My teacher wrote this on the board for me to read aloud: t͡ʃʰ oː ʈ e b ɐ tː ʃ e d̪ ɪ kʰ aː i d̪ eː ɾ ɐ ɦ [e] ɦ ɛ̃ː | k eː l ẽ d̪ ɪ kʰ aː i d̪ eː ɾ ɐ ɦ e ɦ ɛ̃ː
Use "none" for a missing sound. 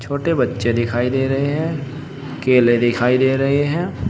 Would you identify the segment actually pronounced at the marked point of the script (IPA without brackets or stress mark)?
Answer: e